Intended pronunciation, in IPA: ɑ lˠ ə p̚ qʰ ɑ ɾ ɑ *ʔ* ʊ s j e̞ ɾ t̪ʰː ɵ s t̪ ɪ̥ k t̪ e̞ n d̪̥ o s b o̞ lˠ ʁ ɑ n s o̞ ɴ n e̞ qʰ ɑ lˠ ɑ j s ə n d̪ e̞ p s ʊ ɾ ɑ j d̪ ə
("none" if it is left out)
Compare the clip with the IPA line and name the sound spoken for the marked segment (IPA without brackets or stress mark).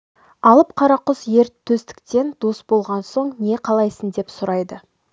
q